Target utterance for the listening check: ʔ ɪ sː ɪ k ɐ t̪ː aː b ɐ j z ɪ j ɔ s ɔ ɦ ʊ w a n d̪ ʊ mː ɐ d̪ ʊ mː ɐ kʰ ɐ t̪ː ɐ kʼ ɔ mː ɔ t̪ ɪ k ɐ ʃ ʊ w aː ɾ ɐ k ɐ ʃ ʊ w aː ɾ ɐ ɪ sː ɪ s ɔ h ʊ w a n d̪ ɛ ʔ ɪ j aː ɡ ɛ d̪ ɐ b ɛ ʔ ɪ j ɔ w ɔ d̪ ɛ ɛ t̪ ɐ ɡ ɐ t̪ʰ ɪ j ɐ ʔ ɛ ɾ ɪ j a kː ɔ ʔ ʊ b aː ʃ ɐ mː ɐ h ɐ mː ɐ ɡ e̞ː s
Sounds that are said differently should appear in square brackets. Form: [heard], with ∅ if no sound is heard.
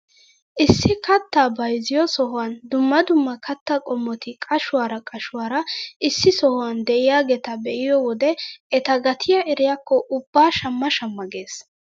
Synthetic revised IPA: ʔ ɪ sː ɪ k ɐ t̪ː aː b ɐ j z ɪ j ɔ s ɔ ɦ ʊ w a n d̪ ʊ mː ɐ d̪ ʊ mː ɐ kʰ ɐ t̪ː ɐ kʼ ɔ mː ɔ t̪ ɪ [kʼ] ɐ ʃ ʊ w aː ɾ ɐ [kʼ] ɐ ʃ ʊ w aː ɾ ɐ ɪ sː ɪ s ɔ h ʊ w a n d̪ ɛ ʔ ɪ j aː ɡ ɛ [t̪] ɐ b ɛ ʔ ɪ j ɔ w ɔ d̪ ɛ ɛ t̪ ɐ ɡ ɐ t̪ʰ ɪ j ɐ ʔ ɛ ɾ ɪ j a kː ɔ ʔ ʊ [bː] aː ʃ ɐ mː ɐ [ʃ] ɐ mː ɐ ɡ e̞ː s